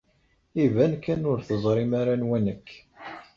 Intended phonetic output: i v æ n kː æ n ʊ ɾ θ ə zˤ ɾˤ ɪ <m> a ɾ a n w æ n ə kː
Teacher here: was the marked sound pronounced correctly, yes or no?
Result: yes